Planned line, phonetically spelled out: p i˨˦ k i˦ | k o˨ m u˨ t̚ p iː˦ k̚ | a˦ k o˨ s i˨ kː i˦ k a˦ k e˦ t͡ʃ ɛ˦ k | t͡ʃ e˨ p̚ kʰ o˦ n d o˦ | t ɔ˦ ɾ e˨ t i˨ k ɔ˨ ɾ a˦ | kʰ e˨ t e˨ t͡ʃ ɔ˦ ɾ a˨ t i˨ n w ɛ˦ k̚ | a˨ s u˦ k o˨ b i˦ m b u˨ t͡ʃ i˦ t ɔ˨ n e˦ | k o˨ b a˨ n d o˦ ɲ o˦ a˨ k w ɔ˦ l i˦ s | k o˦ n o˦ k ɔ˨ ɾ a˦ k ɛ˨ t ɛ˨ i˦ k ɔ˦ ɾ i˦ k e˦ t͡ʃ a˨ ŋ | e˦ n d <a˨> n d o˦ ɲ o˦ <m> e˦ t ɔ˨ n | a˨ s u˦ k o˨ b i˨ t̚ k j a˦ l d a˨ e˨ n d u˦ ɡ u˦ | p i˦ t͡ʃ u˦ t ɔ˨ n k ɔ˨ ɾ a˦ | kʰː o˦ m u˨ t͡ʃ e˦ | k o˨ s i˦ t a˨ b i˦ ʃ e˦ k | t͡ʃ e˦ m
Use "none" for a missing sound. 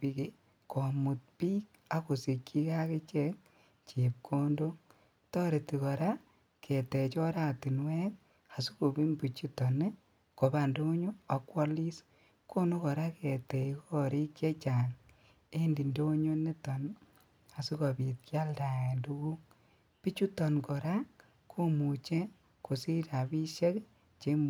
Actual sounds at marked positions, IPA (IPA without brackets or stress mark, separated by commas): i˨, n